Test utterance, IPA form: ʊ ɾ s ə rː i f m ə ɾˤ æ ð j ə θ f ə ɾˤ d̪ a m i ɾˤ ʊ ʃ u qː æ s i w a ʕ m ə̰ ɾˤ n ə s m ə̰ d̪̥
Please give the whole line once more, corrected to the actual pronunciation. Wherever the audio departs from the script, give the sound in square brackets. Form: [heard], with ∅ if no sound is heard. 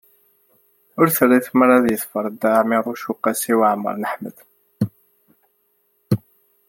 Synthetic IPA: ʊ ɾ [θ] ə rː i [θ] m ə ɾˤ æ ð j ə θ f ə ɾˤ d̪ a m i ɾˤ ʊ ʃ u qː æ s i w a ʕ m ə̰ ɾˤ n ə [ħ] m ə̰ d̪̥